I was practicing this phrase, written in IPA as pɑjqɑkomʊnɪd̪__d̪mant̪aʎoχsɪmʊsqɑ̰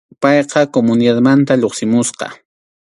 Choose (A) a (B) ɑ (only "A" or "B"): A